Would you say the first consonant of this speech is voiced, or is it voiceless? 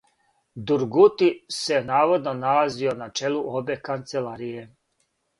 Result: voiced